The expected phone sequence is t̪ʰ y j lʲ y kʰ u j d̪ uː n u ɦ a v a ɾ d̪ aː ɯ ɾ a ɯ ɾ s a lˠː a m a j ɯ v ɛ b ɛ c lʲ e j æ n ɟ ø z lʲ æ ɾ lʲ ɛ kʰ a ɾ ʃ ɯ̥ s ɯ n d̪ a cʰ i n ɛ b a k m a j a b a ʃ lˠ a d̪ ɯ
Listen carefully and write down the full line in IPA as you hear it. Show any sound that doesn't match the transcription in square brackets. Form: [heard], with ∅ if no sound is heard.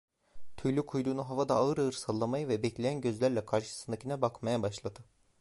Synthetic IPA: t̪ʰ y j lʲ y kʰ u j d̪ uː n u ɦ a v a [∅] d̪ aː ɯ ɾ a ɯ ɾ s a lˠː a m a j ɯ v ɛ b ɛ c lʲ e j æ n ɟ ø z lʲ æ ɾ lʲ ɛ kʰ a ɾ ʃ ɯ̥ s ɯ n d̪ a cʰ i n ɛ b a k m a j a b a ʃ lˠ a d̪ ɯ